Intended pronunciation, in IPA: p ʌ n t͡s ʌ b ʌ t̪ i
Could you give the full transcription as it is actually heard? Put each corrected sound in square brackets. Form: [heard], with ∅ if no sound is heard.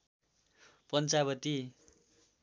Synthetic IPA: p ʌ n t͡s [a] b ʌ t̪ i